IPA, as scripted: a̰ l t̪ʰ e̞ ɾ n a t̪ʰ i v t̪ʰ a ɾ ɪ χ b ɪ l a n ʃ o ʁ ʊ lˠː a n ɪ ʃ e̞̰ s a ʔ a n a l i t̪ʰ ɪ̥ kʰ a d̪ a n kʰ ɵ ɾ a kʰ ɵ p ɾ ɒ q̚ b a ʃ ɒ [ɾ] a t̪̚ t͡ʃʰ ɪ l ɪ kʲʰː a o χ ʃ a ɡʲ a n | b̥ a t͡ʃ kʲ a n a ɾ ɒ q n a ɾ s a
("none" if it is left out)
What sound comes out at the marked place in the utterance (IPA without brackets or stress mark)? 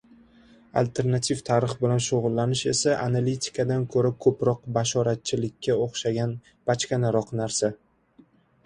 ɾ